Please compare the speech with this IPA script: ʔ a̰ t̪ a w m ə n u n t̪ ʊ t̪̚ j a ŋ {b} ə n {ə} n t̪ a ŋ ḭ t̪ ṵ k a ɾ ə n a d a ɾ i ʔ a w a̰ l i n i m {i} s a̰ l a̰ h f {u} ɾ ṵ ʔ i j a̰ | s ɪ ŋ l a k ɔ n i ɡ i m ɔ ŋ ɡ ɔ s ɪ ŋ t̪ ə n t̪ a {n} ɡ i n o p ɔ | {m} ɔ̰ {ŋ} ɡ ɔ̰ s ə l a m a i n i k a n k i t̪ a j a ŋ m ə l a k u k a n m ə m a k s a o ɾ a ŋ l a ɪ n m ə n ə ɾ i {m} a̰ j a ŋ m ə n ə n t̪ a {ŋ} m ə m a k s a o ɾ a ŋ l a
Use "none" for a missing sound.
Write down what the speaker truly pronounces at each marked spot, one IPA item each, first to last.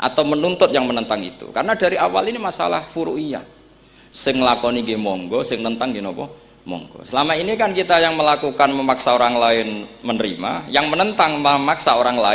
m, ə, a, u, ŋ, m, ŋ, m, ŋ

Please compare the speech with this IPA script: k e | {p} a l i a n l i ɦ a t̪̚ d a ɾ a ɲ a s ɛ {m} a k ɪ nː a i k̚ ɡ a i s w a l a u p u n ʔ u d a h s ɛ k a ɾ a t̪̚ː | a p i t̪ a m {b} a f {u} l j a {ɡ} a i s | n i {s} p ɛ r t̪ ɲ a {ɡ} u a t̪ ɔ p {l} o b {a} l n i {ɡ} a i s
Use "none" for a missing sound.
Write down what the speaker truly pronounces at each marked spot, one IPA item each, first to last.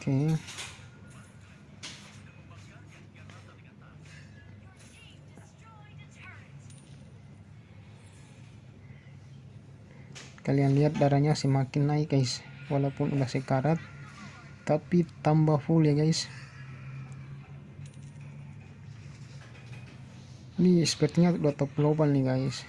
k, m, b, u, ɡ, s, d, l, a, ɡ

